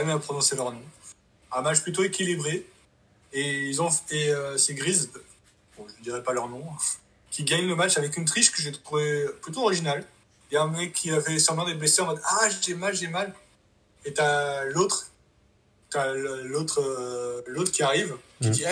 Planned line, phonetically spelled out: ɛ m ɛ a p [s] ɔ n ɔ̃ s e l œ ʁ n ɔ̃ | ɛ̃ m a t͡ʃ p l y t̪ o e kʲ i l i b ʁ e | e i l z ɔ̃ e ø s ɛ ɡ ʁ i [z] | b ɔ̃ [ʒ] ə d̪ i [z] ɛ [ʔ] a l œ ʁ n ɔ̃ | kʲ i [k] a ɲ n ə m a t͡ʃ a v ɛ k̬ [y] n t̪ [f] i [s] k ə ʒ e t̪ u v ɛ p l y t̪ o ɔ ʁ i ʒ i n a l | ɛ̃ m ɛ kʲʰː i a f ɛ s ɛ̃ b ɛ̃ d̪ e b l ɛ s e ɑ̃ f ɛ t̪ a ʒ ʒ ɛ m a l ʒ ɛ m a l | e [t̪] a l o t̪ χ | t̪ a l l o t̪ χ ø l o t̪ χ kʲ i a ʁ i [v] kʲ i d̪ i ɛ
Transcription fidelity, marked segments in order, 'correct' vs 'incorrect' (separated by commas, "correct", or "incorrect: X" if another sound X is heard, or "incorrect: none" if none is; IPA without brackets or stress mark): incorrect: χ, correct, correct, incorrect: ʁ, incorrect: p, incorrect: ɡ, correct, incorrect: χ, incorrect: ʃ, correct, correct